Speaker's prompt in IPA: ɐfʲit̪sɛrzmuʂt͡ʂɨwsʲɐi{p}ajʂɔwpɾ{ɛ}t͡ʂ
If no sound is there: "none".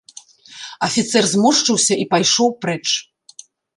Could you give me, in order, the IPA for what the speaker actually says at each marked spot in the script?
p, ɛ

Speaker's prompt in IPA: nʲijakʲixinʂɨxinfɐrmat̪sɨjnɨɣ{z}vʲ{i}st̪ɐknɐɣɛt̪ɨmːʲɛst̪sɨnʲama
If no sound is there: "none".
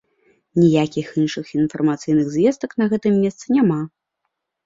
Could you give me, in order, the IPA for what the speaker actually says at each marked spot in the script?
z, ɛ

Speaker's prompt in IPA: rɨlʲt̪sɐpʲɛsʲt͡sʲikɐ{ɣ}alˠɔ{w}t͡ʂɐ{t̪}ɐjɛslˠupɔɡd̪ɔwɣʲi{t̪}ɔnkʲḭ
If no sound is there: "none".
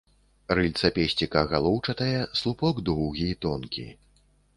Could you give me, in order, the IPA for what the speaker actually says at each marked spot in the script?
ɣ, w, t̪, t̪

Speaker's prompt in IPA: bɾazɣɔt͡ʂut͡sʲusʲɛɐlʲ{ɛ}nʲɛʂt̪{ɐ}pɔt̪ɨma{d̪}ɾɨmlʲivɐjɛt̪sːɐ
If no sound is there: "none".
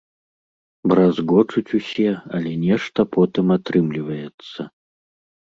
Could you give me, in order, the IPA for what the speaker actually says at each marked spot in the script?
ɛ, ɐ, t̪

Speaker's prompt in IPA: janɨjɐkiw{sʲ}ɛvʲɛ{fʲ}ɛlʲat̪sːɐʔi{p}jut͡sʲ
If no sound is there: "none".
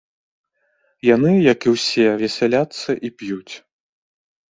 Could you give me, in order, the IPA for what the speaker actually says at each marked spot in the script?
sʲ, sʲ, p

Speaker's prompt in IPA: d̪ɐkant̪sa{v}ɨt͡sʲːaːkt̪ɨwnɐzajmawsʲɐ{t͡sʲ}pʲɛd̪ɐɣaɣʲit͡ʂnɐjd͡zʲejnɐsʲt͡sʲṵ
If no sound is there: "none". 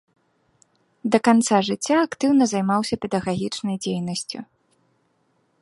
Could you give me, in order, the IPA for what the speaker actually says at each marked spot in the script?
ʐ, none

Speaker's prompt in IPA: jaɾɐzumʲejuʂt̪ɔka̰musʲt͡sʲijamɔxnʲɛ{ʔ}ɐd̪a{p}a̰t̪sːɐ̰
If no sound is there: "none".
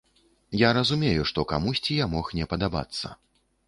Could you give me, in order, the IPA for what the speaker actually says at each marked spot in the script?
p, b

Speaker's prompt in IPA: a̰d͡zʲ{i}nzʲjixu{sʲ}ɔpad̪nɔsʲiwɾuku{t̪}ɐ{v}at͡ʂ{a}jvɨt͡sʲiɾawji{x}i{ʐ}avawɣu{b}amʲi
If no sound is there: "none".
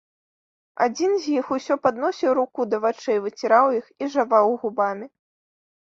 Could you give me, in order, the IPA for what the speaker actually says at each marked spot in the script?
i, sʲ, d̪, v, ɛ, x, ʐ, b

